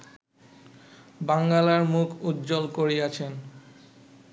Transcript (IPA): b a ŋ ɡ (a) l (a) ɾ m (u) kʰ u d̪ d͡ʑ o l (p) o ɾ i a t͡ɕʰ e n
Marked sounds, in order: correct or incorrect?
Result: correct, correct, correct, incorrect: k

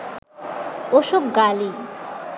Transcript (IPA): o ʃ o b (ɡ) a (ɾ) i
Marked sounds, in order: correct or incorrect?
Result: correct, incorrect: l

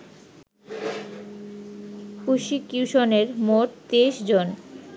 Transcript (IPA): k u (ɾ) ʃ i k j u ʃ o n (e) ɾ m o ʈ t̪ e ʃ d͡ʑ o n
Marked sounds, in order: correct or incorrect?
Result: incorrect: none, correct

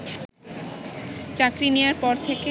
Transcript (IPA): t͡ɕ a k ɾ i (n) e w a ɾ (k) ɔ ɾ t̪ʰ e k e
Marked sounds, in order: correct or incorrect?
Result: correct, incorrect: p

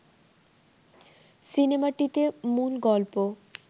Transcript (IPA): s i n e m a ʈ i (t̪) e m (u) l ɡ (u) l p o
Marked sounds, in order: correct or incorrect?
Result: correct, correct, incorrect: ɔ

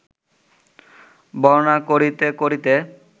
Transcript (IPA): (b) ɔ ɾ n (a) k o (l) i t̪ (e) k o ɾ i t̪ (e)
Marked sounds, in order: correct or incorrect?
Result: correct, correct, incorrect: ɾ, correct, correct

